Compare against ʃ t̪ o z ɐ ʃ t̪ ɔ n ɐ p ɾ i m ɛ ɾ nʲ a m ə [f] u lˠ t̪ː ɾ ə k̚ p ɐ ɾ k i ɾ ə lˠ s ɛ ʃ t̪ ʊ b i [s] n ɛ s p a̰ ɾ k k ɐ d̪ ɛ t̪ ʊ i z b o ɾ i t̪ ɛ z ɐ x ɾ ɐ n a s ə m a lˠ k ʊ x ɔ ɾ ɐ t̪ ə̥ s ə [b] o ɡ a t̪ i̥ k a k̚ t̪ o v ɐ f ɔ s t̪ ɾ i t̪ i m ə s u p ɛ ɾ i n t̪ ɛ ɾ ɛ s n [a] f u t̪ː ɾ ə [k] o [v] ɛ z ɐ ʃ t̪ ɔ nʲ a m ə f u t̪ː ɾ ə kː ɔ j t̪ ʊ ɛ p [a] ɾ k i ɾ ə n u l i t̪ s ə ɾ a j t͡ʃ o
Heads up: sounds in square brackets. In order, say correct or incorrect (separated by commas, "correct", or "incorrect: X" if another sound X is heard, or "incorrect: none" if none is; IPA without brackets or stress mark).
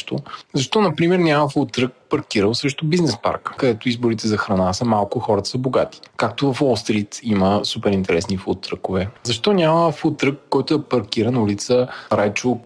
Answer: correct, incorrect: z, correct, incorrect: i, correct, correct, incorrect: ɐ